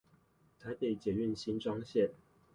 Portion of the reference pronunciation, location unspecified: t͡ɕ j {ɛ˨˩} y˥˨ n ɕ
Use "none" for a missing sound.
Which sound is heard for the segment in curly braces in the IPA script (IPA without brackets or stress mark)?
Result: ɛ˨˩